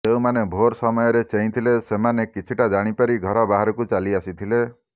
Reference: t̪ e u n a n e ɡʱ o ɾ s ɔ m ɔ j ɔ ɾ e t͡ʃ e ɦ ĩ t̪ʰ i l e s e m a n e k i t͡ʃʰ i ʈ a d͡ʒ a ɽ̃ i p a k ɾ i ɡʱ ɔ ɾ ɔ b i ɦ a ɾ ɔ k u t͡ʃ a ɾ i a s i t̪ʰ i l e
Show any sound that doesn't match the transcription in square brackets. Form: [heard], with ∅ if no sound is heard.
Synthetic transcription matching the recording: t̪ e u [m] a n e [bʱ] o ɾ s ɔ m ɔ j ɔ ɾ e t͡ʃ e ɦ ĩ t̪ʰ i l e s e m a n e k i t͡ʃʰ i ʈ a d͡ʒ a ɽ̃ i p a [∅] ɾ i ɡʱ ɔ ɾ ɔ b [a] ɦ a ɾ ɔ k u t͡ʃ a [l] i a s i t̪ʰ i l e